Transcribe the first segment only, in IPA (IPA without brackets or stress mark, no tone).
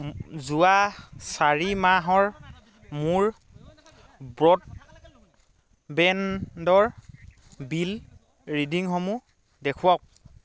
z